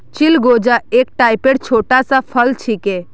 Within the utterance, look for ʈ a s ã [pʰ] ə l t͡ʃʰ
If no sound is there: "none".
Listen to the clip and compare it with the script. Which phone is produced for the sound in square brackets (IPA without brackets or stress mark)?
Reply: pʰ